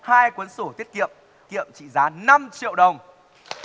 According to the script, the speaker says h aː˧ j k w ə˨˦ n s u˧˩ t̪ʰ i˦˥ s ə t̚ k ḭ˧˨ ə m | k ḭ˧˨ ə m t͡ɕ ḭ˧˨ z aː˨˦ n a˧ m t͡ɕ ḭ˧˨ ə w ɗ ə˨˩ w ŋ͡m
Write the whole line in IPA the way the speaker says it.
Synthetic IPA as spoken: h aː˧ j k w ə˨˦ n s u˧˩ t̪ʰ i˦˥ ə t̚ k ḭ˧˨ ə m | k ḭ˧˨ ə m t͡ɕ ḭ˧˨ z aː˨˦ n a˧ m t͡ɕ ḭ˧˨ ə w ɗ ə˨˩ w ŋ͡m